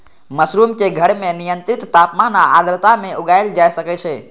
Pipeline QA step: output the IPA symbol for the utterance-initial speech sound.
m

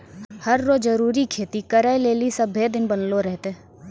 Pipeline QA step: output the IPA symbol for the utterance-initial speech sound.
h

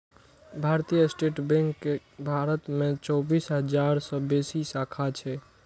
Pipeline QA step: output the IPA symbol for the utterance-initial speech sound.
bʱ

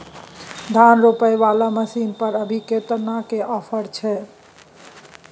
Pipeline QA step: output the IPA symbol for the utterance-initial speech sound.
d̪ʱ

